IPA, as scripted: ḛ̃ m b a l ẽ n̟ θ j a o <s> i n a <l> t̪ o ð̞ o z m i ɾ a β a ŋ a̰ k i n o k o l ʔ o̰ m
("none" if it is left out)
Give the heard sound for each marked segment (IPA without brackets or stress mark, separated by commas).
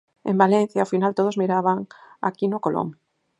f, l